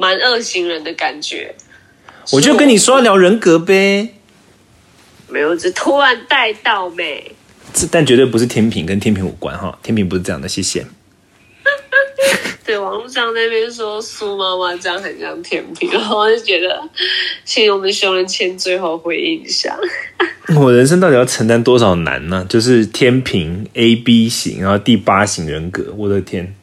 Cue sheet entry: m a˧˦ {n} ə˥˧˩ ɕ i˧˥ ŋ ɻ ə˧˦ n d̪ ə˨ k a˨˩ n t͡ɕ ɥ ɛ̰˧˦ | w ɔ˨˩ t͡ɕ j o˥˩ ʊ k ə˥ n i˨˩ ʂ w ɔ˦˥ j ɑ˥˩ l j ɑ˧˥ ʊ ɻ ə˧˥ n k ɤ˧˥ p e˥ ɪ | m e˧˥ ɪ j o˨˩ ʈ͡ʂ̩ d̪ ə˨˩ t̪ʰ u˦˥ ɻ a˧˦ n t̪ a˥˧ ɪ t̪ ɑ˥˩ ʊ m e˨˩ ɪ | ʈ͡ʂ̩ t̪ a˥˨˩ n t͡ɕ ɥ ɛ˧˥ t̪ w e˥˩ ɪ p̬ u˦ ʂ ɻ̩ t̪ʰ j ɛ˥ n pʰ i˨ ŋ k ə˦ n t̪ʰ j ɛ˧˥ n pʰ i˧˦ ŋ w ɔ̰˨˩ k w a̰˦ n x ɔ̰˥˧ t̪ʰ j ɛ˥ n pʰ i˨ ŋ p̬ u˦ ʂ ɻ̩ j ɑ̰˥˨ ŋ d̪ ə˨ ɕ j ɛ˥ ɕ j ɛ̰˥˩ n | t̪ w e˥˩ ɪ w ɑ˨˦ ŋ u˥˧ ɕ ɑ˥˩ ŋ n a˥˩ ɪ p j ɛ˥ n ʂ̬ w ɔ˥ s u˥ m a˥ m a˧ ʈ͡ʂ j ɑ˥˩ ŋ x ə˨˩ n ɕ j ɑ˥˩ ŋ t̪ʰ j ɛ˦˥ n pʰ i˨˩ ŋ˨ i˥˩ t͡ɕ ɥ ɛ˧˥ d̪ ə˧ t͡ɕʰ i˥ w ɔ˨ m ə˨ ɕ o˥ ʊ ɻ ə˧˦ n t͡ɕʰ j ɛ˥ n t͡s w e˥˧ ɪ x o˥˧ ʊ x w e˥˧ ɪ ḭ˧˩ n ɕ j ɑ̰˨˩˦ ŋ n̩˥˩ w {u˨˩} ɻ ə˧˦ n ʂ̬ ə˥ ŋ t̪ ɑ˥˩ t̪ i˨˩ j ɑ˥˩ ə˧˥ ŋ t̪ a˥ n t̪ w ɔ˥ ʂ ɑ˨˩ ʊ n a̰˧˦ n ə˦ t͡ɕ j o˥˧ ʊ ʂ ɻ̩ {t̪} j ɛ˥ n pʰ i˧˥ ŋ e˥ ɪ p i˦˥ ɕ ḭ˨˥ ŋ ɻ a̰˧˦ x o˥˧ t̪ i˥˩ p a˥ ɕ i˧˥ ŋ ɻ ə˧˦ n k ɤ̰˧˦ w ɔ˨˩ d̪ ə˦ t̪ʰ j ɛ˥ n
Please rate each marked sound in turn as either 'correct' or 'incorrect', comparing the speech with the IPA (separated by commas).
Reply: correct, incorrect, incorrect